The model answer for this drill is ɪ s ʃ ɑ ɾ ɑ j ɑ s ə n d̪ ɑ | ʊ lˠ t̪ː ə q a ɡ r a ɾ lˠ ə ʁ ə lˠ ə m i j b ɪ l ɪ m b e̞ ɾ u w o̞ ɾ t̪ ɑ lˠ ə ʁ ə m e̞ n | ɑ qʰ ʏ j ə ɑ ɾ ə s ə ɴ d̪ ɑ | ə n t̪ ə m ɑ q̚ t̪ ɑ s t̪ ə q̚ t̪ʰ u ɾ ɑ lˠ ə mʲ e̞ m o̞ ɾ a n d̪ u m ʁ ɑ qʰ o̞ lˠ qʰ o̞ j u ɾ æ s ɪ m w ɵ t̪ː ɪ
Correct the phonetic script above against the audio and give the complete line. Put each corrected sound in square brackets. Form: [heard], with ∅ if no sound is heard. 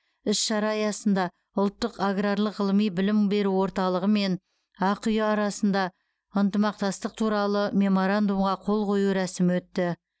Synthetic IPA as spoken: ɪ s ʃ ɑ ɾ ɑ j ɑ s ə n d̪ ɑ | ʊ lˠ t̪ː ə q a ɡ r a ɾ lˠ ə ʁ ə lˠ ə m i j b ɪ l ɪ m b e̞ ɾ u w o̞ ɾ t̪ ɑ lˠ ə ʁ ə m e̞ n | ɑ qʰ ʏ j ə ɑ ɾ [ɑ] s ə [n] d̪ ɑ | ə n t̪ ə m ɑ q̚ t̪ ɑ s t̪ ə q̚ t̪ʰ u ɾ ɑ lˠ ə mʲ e̞ m o̞ ɾ a n d̪ u m ʁ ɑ qʰ o̞ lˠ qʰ o̞ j u ɾ æ s ɪ m w ɵ t̪ː ɪ

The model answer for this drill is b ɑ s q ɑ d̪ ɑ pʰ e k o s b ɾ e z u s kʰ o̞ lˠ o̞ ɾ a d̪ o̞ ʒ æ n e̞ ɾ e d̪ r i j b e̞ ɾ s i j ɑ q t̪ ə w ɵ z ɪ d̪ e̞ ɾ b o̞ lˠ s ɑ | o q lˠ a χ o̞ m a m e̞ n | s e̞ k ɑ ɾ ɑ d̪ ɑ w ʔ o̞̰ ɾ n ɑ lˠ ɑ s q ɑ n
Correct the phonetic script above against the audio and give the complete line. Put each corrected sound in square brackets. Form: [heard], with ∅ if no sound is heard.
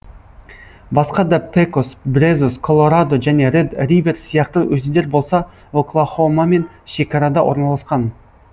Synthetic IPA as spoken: b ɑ s q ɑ d̪ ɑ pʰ e k o s b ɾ e z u s kʰ o̞ lˠ o̞ ɾ a d̪ o̞ ʒ æ n e̞ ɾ e d̪ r i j [v] e̞ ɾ s i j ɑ q t̪ ə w ɵ z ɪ d̪ e̞ ɾ b o̞ lˠ s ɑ | o [k] lˠ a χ o̞ m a m e̞ n | [ʃ] e̞ k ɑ ɾ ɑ d̪ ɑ w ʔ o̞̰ ɾ n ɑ lˠ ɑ s q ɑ n

